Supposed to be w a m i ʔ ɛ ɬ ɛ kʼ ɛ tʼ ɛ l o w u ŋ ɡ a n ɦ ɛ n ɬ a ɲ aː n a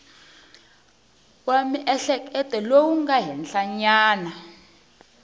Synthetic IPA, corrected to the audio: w a m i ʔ ɛ ɬ ɛ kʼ ɛ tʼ ɛ l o w u ŋ ɡ a ɦ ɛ n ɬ a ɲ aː n a